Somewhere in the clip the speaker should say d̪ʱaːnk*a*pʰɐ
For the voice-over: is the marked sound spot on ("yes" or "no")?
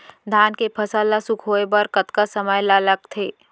no